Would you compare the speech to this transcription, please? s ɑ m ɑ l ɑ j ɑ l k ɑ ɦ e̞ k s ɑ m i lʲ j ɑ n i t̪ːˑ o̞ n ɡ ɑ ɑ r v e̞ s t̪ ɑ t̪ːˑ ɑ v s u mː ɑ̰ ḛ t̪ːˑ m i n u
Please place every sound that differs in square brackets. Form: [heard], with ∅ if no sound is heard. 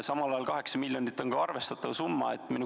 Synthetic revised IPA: s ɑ m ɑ l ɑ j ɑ l k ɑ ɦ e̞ k s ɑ m i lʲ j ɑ n i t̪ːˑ o̞ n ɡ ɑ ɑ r v e̞ s t̪ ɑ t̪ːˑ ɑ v s u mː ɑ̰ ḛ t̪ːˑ m i n u